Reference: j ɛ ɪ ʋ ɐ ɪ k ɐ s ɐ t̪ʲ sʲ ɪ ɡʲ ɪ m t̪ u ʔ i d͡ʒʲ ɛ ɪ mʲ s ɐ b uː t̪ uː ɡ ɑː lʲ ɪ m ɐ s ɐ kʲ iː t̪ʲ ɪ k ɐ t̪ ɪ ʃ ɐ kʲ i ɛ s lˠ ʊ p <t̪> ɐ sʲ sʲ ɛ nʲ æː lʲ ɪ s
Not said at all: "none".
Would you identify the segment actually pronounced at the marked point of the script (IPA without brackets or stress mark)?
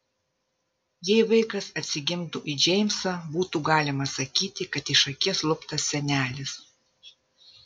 t̪